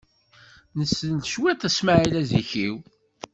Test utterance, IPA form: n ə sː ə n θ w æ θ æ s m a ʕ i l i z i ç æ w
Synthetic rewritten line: n ə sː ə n ʃ w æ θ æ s m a ʕ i l æ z i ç i w